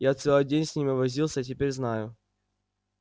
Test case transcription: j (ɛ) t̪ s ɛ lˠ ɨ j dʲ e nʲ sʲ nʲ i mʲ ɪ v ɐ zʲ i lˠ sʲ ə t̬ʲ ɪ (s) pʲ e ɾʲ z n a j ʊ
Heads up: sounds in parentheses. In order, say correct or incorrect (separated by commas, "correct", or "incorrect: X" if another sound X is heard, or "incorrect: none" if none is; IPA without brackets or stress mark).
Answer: incorrect: a, incorrect: none